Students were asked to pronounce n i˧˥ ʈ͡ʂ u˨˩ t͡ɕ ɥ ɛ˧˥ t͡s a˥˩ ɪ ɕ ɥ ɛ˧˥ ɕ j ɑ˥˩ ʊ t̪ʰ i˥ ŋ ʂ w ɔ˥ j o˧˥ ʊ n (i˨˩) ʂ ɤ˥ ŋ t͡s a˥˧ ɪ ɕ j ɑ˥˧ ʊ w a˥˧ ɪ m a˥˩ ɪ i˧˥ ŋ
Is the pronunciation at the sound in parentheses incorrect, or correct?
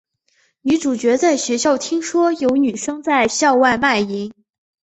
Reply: incorrect